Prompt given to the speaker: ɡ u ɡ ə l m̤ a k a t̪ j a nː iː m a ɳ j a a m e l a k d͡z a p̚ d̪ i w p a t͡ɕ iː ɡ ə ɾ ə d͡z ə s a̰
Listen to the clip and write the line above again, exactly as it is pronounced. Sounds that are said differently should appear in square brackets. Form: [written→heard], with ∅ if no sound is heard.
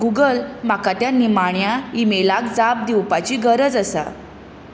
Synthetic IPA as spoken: ɡ u ɡ ə l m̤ a k a t̪ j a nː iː m a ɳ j a [a→i] m e l a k d͡z a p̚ d̪ i w p a t͡ɕ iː ɡ ə ɾ ə d͡z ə s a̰